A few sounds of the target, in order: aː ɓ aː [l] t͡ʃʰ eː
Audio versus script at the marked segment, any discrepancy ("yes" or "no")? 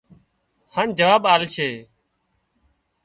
no